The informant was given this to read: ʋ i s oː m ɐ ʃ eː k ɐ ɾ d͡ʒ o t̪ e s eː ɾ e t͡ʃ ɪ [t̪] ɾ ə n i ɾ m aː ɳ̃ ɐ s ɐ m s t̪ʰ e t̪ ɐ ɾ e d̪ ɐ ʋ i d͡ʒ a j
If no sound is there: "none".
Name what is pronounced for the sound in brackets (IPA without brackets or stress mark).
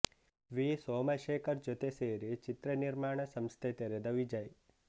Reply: t̪